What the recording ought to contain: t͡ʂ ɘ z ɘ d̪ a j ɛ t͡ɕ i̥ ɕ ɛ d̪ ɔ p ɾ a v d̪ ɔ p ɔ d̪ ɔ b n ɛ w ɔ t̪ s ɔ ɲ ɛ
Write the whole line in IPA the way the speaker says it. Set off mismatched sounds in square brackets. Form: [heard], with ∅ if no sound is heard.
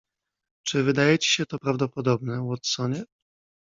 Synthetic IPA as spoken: t͡ʂ ɘ [v] ɘ d̪ a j ɛ t͡ɕ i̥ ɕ ɛ [t̪] ɔ p ɾ a v d̪ ɔ p ɔ d̪ ɔ b n ɛ w ɔ t̪ s ɔ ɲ ɛ